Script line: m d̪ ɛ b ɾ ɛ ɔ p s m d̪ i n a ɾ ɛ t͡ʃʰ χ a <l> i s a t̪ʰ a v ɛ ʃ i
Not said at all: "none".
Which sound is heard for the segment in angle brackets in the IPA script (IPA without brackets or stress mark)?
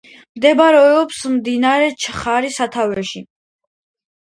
ɾ